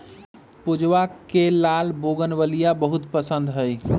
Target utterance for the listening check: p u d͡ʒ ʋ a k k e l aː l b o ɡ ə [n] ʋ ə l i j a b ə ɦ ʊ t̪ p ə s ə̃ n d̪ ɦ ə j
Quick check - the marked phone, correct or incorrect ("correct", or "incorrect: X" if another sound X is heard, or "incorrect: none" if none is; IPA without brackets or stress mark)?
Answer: correct